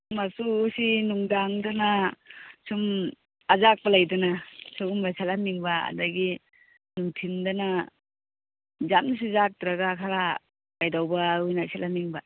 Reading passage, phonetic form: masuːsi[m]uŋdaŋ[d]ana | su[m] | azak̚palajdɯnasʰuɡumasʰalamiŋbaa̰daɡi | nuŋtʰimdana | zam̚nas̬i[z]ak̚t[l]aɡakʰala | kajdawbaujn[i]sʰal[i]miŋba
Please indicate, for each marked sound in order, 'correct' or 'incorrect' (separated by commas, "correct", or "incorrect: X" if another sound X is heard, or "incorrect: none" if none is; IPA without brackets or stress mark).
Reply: incorrect: n, correct, correct, correct, incorrect: ɾ, incorrect: a, incorrect: a